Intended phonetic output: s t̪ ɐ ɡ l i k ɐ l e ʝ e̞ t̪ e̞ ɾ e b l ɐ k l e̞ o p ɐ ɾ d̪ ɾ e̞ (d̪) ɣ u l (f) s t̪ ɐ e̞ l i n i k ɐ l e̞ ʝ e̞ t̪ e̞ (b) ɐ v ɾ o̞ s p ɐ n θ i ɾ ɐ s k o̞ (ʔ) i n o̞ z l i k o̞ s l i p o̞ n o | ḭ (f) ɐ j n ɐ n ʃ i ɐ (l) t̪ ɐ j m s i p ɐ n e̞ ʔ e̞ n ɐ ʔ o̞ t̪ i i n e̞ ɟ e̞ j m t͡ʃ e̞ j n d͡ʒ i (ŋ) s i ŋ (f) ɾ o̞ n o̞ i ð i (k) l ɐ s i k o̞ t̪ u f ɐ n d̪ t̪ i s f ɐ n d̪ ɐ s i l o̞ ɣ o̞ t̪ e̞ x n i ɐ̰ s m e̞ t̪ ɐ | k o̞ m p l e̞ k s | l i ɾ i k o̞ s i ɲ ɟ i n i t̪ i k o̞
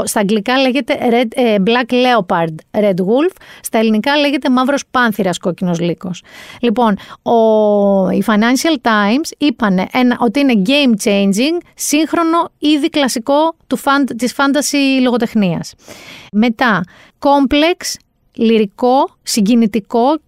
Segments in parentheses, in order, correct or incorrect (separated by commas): correct, correct, incorrect, incorrect, correct, correct, correct, incorrect, correct